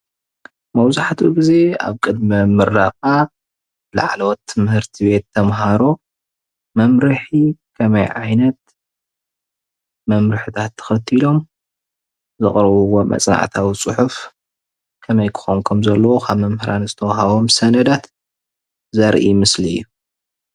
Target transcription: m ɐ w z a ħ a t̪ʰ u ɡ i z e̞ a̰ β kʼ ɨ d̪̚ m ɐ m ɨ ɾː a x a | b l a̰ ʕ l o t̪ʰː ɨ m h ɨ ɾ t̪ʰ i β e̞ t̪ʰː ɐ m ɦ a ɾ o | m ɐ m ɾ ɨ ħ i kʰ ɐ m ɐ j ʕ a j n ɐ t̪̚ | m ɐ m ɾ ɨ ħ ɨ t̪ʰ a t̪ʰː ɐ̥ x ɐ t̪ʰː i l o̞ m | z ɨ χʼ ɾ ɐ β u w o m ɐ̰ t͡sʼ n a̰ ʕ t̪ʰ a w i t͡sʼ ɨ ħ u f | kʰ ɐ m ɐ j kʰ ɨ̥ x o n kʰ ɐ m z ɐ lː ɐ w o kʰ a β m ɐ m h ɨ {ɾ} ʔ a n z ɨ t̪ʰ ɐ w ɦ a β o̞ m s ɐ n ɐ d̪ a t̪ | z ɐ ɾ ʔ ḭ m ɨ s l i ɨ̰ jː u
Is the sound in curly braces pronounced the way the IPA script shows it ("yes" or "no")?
yes